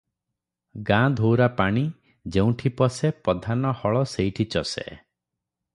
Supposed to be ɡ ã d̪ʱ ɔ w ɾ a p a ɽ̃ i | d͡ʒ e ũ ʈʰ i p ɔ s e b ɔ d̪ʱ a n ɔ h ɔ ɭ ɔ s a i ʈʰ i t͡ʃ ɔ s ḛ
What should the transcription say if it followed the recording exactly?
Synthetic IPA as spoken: ɡ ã d̪ʱ o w ɾ a p a ɽ̃ i | d͡ʒ e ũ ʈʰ i p ɔ s e p ɔ d̪ʱ a n ɔ h ɔ ɭ ɔ s e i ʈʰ i t͡ʃ ɔ s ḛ